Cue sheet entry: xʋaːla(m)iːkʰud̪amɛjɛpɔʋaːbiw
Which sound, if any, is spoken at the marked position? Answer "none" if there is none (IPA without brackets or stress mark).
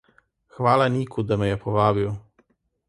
n